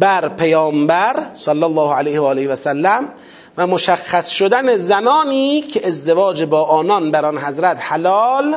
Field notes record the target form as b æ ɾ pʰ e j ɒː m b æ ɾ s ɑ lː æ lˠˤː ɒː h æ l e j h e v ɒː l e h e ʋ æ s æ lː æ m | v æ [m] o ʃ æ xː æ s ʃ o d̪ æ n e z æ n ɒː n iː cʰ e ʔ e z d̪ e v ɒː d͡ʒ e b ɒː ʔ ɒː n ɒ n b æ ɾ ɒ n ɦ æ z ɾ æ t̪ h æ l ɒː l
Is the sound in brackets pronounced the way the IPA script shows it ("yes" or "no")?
yes